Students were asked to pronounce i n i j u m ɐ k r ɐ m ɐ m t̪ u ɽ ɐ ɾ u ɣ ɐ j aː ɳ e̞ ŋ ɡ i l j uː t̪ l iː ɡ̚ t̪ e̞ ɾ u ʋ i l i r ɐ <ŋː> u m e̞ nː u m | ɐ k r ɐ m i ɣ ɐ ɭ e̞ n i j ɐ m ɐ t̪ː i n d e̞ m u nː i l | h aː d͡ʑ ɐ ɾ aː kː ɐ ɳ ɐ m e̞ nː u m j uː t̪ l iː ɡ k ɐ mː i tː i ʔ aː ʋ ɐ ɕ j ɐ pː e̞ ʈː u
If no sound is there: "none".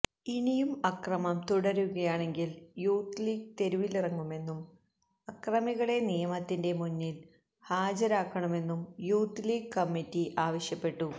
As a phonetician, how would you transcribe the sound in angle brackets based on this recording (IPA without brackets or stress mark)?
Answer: ŋː